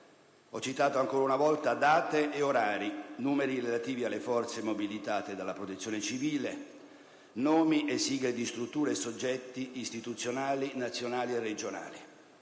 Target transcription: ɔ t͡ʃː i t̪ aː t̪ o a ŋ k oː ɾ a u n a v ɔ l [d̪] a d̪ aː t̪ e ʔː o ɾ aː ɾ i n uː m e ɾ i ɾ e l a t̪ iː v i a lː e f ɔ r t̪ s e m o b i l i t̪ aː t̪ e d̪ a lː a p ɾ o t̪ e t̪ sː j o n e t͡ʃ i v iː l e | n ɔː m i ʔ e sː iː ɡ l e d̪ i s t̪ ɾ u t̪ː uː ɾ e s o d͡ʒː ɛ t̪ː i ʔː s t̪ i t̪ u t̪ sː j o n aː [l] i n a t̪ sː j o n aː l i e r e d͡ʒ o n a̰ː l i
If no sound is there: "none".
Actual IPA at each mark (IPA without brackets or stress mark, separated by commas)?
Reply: t̪, l